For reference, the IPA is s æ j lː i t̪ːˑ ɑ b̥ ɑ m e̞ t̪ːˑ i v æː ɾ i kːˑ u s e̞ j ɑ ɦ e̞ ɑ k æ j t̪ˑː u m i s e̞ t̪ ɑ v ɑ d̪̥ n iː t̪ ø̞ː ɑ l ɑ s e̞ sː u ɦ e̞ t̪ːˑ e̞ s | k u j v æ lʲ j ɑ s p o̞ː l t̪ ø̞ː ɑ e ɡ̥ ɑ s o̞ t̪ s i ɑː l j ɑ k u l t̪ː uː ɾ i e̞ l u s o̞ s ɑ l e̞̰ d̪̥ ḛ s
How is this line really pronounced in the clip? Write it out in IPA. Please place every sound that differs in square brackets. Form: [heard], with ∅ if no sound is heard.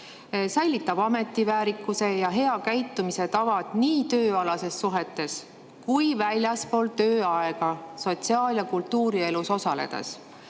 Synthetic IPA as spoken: s æ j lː i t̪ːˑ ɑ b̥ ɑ m e̞ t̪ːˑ i v æː ɾ i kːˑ u s e̞ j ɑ ɦ e̞ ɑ k æ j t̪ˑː u m i s e̞ t̪ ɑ v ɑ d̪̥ n iː t̪ ø̞ː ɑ l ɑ s e̞ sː u ɦ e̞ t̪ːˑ e̞ s | k u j v æ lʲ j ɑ s p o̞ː l t̪ ø̞ː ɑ e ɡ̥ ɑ s o̞ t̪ s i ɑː l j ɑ k u l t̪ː uː ɾ i e̞ l u s o̞ s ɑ l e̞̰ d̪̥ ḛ s